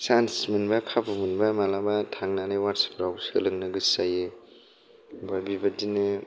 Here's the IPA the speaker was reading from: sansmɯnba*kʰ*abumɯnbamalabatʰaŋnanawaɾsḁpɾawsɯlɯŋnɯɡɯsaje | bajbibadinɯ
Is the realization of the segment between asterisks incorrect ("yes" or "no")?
no